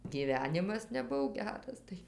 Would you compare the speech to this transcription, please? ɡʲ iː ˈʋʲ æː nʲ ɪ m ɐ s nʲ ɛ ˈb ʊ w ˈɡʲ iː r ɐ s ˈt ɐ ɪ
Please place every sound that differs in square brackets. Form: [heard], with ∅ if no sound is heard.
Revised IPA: ɡʲ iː ˈʋʲ æː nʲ ɪ m ɐ s nʲ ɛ ˈb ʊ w ˈɡʲ [æː] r ɐ s ˈt ɐ ɪ